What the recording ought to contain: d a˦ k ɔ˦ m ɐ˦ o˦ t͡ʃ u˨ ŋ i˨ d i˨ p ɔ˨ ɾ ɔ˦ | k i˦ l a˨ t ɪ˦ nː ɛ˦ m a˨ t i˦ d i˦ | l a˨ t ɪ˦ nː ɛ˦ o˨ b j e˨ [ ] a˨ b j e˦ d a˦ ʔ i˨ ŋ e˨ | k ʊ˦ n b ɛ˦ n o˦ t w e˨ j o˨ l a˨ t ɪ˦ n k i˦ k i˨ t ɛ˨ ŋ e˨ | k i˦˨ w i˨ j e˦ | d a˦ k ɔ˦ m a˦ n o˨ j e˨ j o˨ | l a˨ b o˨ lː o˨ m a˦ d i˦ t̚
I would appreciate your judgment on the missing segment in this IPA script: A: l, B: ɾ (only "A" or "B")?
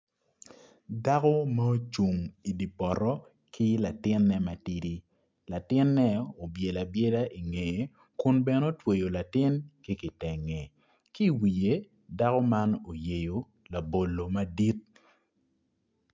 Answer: A